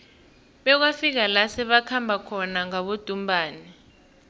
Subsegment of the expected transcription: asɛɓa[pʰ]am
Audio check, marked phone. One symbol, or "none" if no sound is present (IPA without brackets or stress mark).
kʰ